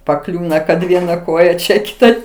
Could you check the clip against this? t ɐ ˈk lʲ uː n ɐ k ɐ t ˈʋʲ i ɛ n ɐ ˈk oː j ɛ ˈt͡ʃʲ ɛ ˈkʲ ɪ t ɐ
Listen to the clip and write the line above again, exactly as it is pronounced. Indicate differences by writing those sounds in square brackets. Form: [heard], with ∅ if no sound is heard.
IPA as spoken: [p] ɐ ˈk lʲ uː n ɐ k ɐ t ˈʋʲ i ɛ n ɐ ˈk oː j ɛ ˈt͡ʃʲ ɛ ˈkʲ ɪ t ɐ